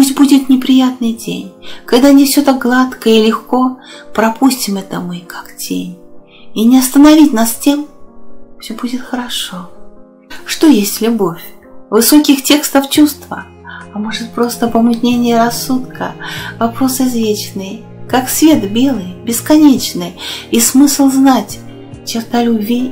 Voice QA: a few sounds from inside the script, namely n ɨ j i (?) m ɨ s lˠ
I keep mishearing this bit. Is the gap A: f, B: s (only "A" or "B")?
B